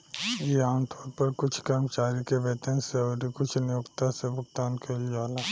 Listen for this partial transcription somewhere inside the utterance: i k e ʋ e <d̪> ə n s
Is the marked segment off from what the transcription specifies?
yes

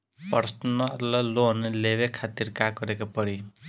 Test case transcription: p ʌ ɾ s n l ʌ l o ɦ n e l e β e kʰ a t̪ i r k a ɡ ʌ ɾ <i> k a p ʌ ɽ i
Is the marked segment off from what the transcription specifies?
yes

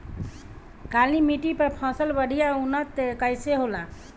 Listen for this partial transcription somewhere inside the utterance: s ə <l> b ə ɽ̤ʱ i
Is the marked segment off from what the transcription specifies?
no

